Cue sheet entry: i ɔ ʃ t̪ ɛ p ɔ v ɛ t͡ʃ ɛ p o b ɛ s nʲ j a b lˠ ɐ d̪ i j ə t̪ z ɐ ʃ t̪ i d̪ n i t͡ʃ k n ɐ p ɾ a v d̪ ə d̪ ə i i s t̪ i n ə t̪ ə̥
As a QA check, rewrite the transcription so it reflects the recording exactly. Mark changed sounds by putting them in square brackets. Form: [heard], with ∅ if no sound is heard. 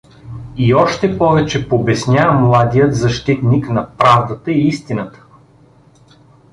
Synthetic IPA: i ɔ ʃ t̪ ɛ p ɔ v ɛ t͡ʃ ɛ p o b ɛ s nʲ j a [m] lˠ [a] d̪ i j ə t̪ z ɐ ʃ t̪ i [t̪] n i [∅] k n ɐ p ɾ a v d̪ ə [t̪] ə i i s t̪ i n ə t̪ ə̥